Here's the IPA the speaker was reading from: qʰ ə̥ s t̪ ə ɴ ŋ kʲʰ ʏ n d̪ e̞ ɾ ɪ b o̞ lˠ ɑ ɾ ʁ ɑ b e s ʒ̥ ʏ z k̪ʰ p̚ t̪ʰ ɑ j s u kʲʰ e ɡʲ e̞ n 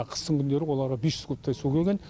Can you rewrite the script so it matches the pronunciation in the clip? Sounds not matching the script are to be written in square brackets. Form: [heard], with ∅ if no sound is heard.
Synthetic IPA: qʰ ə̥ s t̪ ə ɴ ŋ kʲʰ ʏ n d̪ e̞ ɾ ɪ [w] o̞ lˠ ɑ ɾ ʁ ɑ b e s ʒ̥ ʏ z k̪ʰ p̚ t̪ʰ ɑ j s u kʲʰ e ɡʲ e̞ n